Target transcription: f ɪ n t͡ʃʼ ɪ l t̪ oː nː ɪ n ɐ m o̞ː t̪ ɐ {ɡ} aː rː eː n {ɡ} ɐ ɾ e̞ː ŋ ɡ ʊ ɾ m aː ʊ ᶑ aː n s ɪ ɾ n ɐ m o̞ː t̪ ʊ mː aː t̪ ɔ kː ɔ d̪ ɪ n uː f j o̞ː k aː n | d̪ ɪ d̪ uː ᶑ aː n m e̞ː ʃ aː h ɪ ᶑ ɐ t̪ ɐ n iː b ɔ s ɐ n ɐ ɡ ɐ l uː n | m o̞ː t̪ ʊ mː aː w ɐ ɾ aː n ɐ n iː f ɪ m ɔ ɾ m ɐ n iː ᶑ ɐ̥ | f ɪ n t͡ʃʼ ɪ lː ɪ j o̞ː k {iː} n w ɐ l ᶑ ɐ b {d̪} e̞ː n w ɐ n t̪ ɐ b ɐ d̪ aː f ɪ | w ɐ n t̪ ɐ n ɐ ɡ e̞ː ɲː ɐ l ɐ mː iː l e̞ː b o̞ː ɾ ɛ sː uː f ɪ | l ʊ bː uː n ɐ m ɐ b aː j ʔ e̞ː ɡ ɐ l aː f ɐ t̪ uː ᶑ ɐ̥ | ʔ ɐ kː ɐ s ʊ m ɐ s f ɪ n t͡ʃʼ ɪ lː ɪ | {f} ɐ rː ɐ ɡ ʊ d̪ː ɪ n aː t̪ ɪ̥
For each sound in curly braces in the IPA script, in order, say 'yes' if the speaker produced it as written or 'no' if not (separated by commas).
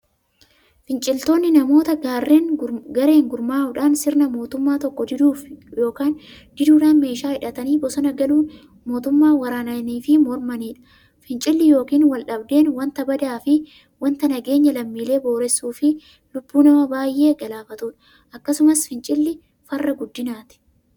yes, yes, yes, yes, yes